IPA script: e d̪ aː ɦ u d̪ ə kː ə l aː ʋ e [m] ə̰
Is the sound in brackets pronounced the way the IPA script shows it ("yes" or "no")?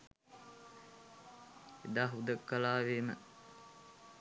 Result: yes